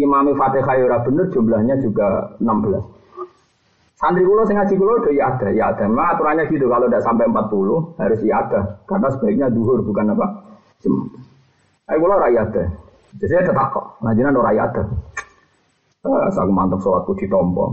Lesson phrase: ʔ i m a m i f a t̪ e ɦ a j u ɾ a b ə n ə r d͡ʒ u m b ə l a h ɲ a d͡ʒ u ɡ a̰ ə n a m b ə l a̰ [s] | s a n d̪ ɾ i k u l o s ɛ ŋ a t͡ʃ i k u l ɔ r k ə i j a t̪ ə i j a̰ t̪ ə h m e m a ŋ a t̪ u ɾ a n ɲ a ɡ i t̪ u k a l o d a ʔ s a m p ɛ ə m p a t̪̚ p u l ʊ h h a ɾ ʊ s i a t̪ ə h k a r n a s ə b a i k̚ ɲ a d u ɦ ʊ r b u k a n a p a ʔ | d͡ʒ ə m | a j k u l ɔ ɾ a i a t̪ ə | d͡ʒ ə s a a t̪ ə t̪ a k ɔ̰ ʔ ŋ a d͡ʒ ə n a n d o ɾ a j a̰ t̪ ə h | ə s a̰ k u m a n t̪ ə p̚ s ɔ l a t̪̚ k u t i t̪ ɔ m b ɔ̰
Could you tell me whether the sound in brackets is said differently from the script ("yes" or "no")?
no